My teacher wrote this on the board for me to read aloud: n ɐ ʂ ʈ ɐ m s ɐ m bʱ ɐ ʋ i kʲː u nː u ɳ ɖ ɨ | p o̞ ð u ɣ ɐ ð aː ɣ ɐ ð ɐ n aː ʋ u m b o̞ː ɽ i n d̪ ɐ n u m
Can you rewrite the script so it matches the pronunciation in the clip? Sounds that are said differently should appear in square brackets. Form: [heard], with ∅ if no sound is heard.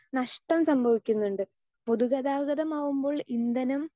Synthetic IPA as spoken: n ɐ ʂ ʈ ɐ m s ɐ m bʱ ɐ ʋ i kʲː u nː u ɳ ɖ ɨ | p o̞ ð u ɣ ɐ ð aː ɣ ɐ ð ɐ [m] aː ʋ u m b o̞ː [ɭ] i n d̪ ɐ n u m